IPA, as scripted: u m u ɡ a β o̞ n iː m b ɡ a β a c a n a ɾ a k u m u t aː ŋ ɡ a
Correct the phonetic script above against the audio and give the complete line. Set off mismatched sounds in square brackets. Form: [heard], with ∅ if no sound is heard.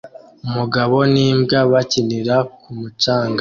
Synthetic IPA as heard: u m u ɡ a β o̞ n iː m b ɡ a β a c [i] n [i] ɾ a k u m u [t͡ʃ] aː ŋ ɡ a

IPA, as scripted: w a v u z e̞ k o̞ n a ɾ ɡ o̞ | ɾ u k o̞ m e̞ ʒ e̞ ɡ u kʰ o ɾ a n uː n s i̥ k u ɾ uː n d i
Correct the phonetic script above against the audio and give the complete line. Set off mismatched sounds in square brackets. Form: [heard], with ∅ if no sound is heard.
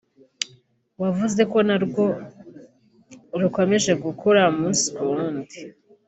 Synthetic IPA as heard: w a v u z e̞ k o̞ n a ɾ ɡ o̞ | ɾ u k o̞ m e̞ ʒ e̞ ɡ u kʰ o ɾ a [m] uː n s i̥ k u ɾ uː n d i

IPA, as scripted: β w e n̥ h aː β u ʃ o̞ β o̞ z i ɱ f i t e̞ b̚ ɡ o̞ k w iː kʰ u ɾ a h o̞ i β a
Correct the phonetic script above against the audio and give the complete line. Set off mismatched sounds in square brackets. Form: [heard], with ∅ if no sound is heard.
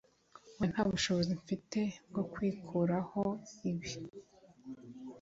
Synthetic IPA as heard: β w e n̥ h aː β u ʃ o̞ β o̞ z i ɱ f i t e̞ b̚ ɡ o̞ k w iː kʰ u ɾ a h o̞ i β [i]

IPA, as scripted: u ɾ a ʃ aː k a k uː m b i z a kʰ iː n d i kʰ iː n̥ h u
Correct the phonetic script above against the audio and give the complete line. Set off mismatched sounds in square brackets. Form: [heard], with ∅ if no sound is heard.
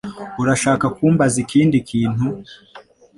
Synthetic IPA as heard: u ɾ a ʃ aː k a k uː m b [a] z [i] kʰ iː n d i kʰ iː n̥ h u

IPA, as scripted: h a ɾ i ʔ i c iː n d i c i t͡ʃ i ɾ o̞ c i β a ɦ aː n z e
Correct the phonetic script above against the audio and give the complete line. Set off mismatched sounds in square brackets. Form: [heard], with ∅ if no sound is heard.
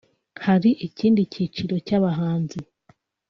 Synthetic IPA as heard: h a ɾ i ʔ i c iː n d i c i t͡ʃ i ɾ o̞ c [a] β a ɦ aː n z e

